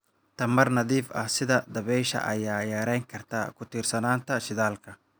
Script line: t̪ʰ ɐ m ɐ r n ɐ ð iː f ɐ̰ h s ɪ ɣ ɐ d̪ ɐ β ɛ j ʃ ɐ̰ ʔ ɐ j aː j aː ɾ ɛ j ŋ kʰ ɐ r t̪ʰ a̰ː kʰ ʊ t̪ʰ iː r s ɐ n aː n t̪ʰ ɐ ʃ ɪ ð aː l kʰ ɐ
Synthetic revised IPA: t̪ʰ ɐ m ɐ r n ɐ ð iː f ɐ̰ h s ɪ ð ɐ d̪ ɐ β ɛ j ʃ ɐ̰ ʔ ɐ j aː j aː ɾ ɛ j ŋ kʰ ɐ r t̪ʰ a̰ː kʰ ʊ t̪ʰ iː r s ɐ n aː n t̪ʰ ɐ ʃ ɪ ð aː l kʰ ɐ